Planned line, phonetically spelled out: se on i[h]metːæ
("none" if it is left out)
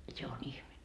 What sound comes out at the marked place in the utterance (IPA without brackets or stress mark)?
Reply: h